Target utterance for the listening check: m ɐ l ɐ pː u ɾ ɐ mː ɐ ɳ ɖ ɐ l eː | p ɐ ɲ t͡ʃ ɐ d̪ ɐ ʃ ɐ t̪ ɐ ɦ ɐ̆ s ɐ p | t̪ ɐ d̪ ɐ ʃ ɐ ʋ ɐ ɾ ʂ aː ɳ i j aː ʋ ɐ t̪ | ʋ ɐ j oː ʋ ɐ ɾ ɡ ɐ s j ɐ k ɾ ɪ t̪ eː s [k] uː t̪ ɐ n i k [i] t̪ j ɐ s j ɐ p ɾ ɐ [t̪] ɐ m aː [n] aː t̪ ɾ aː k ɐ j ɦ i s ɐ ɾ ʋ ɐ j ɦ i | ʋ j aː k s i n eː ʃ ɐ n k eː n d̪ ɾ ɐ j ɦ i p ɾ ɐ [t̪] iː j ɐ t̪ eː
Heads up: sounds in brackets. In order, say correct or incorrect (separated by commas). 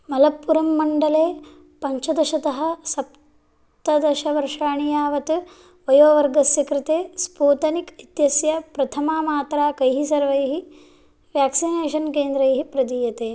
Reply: incorrect, correct, incorrect, incorrect, incorrect